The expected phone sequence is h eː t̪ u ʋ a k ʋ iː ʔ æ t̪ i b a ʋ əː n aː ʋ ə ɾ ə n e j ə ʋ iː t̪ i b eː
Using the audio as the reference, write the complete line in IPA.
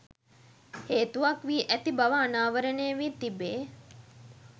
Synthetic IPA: h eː t̪ u ʋ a k ʋ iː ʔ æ t̪ i b a ʋ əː n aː ʋ ə ɾ ə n e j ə ʋ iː t̪ i b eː